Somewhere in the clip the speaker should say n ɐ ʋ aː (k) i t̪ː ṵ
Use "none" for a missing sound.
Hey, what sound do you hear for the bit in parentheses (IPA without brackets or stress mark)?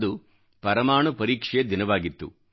ɡ